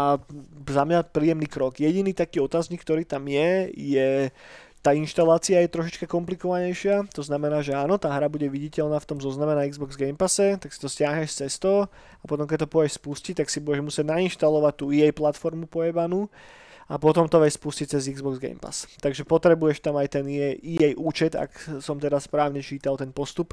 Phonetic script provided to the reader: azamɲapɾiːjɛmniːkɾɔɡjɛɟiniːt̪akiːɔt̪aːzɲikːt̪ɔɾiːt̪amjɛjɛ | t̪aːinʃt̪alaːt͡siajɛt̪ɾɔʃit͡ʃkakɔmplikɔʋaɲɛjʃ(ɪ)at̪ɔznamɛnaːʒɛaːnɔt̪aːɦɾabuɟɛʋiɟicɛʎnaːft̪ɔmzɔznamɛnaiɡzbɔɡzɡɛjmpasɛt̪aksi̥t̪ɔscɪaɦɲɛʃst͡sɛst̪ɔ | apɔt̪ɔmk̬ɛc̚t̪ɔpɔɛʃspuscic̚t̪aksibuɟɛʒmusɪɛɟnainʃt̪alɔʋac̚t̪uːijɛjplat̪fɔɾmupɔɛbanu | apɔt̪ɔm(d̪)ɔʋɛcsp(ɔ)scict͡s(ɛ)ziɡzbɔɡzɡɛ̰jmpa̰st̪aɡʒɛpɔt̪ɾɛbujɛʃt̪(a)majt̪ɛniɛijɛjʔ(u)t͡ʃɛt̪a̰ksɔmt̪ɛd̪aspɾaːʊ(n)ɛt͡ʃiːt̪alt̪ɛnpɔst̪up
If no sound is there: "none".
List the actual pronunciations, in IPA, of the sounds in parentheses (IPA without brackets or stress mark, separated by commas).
ɪ, t̪, u, ɛ, a, uː, ɲ